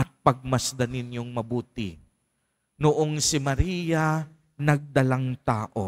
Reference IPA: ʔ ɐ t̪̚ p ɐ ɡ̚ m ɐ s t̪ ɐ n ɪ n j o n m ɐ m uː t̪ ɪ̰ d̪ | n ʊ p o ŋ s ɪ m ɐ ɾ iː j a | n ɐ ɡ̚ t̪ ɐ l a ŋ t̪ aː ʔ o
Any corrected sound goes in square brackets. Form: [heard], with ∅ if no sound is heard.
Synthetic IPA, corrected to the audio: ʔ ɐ t̪̚ p ɐ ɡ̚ m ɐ s [d̪] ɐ n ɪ n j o [ŋ] m ɐ [b] uː t̪ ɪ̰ [∅] | n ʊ [ʔ] o ŋ s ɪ m ɐ ɾ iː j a | n ɐ ɡ̚ [d̪] ɐ l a ŋ t̪ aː ʔ o